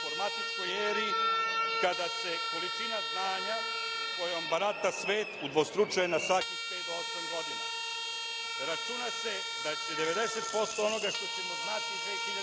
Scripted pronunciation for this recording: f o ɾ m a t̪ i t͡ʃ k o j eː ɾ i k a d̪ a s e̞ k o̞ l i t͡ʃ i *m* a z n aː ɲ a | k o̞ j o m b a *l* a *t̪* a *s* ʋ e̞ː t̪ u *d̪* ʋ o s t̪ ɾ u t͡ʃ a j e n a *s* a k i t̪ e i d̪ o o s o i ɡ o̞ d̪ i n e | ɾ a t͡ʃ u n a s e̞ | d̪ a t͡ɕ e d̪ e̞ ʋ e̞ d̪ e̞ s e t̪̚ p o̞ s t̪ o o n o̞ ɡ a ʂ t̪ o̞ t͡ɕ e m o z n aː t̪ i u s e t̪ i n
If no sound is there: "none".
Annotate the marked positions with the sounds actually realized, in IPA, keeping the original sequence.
n, ɾ, t̪, s, d̪, s

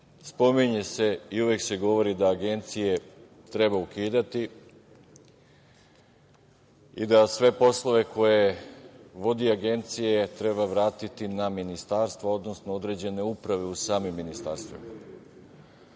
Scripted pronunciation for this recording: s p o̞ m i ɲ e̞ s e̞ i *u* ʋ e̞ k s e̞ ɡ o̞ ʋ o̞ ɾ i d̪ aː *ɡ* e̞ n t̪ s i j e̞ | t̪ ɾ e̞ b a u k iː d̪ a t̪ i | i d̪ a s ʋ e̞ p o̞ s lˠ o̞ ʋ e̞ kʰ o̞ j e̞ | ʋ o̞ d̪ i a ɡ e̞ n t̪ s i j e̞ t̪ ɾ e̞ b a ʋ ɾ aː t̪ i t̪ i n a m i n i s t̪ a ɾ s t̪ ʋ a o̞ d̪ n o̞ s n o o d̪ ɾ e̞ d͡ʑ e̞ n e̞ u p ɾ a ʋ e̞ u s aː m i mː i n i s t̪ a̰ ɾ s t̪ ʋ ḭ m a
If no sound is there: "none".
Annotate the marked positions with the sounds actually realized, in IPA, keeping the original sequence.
u, ɡ

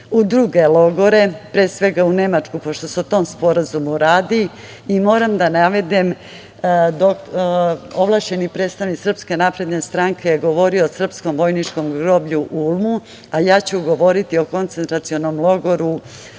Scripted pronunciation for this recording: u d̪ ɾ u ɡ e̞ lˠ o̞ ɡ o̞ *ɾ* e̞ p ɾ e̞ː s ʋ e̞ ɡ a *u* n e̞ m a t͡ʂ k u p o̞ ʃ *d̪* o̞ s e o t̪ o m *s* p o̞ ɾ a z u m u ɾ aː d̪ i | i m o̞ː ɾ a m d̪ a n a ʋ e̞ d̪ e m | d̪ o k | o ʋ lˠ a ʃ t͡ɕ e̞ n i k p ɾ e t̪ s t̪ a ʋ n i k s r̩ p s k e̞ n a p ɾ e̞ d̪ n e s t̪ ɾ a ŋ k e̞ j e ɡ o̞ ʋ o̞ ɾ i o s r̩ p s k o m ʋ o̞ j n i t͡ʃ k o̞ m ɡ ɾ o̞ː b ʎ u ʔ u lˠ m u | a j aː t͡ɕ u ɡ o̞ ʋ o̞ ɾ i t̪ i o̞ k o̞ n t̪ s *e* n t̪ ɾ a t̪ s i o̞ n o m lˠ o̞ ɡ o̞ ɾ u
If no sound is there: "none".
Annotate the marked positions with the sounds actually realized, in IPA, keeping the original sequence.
ɾ, u, t̪, s, e

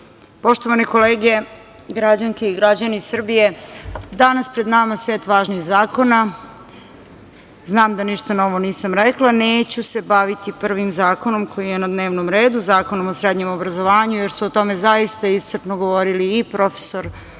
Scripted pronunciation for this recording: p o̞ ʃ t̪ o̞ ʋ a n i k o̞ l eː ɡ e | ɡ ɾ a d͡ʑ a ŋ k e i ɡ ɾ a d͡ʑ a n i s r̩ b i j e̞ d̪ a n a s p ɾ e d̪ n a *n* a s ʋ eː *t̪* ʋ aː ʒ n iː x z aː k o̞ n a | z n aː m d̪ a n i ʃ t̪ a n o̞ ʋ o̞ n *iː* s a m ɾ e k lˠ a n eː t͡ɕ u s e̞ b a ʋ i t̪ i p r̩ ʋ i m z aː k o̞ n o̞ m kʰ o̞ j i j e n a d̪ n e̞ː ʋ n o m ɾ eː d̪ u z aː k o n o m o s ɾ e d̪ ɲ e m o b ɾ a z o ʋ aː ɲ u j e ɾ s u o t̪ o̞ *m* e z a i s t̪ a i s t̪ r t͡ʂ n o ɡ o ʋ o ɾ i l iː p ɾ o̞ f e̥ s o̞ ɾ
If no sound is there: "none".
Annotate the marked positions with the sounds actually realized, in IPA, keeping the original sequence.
m, t̪, iː, m

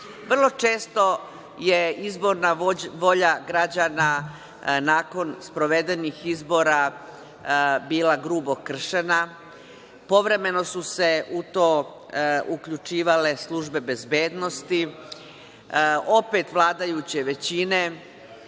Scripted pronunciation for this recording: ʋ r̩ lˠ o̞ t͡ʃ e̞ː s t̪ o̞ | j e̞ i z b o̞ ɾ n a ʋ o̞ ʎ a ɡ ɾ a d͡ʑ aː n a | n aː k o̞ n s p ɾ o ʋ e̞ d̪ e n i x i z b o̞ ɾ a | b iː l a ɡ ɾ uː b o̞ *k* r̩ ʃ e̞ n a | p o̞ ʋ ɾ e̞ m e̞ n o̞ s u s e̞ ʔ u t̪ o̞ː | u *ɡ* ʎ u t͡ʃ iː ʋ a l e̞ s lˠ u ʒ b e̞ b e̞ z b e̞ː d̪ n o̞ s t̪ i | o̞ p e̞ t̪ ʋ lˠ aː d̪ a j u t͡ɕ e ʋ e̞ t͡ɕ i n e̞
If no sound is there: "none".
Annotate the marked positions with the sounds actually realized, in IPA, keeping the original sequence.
k, k

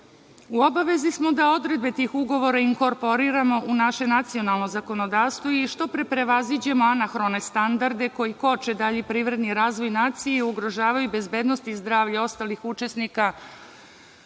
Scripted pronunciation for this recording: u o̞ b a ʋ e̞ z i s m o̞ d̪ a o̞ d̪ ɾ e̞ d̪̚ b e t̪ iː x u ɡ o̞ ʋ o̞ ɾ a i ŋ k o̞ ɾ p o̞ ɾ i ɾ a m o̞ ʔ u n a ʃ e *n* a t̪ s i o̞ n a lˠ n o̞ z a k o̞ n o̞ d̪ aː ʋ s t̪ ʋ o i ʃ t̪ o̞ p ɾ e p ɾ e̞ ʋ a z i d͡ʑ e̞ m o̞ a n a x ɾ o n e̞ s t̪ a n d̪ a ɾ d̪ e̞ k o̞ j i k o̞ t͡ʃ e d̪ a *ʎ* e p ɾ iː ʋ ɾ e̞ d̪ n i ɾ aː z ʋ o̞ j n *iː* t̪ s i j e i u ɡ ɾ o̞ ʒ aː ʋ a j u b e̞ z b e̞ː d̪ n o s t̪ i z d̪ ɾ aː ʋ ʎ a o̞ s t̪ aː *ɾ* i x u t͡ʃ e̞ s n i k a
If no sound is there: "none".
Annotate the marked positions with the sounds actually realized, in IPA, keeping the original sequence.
n, ʎ, aː, l

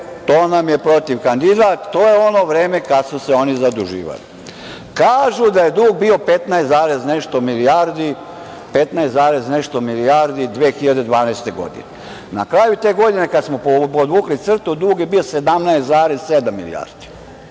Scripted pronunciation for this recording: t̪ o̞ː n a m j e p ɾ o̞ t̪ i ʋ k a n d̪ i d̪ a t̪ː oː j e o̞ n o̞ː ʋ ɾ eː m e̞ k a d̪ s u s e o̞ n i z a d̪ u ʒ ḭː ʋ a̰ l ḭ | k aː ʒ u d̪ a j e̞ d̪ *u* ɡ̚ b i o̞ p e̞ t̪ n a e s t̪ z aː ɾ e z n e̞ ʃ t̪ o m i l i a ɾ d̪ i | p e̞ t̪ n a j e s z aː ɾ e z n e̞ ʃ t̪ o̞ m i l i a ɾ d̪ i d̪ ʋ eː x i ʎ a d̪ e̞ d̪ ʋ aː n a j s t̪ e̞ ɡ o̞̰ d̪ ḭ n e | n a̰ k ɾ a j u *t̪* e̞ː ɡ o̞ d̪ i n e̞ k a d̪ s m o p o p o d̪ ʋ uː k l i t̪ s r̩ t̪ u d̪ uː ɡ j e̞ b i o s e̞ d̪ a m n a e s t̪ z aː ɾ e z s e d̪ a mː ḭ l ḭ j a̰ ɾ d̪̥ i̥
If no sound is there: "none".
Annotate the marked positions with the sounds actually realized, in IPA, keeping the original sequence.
uː, t̪

